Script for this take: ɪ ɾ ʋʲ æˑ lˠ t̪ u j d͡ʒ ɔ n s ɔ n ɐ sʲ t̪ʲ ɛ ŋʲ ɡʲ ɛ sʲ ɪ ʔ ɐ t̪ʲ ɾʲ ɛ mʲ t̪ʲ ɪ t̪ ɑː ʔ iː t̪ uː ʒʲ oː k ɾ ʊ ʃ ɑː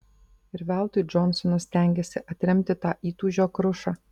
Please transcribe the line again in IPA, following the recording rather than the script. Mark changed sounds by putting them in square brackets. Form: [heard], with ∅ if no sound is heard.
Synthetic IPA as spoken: ɪ ɾ ʋʲ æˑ lˠ t̪ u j d͡ʒ ɔ n s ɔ n ɐ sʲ t̪ʲ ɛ ŋʲ ɡʲ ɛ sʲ ɪ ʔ ɐ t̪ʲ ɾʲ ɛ mʲ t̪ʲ ɪ t̪ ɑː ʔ iː t̪ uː ʒʲ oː k ɾ ʊ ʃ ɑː

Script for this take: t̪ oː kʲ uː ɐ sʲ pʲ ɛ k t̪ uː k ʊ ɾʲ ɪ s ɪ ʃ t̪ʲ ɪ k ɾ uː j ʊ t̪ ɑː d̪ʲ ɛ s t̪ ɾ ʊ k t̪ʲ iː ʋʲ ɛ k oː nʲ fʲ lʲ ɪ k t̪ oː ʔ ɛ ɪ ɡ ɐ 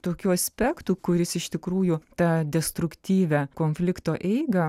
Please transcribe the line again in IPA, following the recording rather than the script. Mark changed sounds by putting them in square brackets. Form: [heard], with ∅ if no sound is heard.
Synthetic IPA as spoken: t̪ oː kʲ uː ɐ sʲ pʲ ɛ k t̪ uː k ʊ ɾʲ ɪ s ɪ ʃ t̪ʲ ɪ k ɾ uː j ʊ t̪ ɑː d̪ʲ ɛ s t̪ ɾ ʊ k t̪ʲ iː ʋʲ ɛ k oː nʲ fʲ lʲ ɪ k t̪ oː ʔ ɛ ɪ ɡ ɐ

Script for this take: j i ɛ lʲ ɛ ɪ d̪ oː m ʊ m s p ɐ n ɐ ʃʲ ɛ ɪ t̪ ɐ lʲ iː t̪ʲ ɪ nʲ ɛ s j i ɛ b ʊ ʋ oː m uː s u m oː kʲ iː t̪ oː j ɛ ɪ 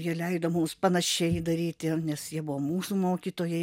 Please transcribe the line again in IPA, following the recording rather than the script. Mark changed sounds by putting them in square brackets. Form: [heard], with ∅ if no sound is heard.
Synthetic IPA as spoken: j i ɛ lʲ ɛ ɪ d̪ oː m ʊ m s p ɐ n ɐ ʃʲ ɛ ɪ [d̪] ɐ [ɾʲ] iː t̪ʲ ɪ nʲ ɛ s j i ɛ b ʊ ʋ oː m uː s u m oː kʲ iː t̪ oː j ɛ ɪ

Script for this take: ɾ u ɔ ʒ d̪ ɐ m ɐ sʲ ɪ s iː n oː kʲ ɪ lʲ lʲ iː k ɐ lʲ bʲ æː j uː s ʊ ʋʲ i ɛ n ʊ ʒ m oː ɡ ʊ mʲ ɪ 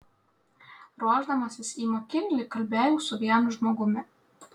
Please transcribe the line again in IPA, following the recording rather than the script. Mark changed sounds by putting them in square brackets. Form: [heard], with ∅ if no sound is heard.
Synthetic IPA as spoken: ɾ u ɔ ʒ d̪ ɐ m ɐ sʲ ɪ s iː [m] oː kʲ ɪ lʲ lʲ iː k ɐ lʲ bʲ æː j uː s ʊ ʋʲ i ɛ n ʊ ʒ m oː ɡ ʊ mʲ ɪ

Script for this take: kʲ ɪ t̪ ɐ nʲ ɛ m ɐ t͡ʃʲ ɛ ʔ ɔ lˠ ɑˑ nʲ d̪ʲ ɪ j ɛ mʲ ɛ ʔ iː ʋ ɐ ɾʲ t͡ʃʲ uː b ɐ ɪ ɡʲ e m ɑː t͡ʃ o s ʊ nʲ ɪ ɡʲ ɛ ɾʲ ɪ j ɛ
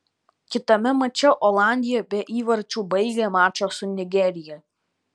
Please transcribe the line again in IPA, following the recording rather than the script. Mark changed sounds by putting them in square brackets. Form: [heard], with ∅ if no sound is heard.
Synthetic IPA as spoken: kʲ ɪ t̪ ɐ [mʲ] ɛ m ɐ t͡ʃʲ ɛ ʔ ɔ lˠ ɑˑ nʲ d̪ʲ ɪ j ɛ [bʲ] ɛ ʔ iː ʋ ɐ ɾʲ t͡ʃʲ uː b ɐ ɪ ɡʲ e m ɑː t͡ʃ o s ʊ nʲ ɪ ɡʲ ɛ ɾʲ ɪ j ɛ

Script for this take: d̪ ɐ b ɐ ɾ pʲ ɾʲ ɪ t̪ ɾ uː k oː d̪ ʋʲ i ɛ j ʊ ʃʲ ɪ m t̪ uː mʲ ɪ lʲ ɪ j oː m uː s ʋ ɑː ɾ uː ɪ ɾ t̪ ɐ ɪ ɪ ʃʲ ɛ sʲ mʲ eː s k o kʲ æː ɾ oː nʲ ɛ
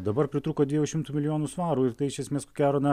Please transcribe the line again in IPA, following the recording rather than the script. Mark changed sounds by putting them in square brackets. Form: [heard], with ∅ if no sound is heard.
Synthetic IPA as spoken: d̪ ɐ b ɐ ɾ pʲ ɾʲ ɪ t̪ ɾ uː k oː d̪ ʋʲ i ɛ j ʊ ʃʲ ɪ m t̪ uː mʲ ɪ lʲ ɪ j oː [n] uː s ʋ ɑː ɾ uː ɪ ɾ t̪ ɐ ɪ ɪ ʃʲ ɛ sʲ mʲ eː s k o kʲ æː ɾ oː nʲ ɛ

